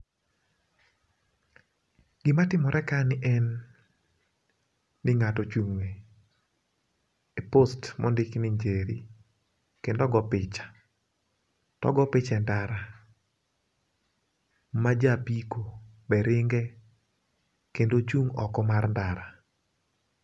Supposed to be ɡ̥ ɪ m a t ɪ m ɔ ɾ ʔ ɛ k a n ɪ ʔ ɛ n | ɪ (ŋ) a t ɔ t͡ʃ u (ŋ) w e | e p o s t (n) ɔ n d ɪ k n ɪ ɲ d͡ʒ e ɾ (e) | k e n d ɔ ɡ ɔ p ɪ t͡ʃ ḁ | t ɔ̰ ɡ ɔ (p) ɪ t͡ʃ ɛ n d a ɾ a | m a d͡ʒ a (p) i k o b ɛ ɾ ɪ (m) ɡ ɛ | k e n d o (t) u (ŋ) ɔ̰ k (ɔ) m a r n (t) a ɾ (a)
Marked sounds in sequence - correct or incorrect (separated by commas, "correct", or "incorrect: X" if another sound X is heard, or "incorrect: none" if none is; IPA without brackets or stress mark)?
correct, correct, incorrect: m, incorrect: i, correct, correct, incorrect: ŋ, incorrect: t͡ʃ, correct, correct, incorrect: d, correct